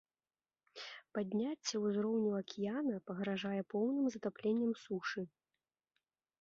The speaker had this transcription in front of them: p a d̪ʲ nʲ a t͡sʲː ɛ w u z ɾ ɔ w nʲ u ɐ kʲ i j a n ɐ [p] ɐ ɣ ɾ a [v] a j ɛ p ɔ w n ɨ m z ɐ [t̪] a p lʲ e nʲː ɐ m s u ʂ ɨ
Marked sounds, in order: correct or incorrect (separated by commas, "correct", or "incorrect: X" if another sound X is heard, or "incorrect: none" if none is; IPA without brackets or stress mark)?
correct, incorrect: ʐ, correct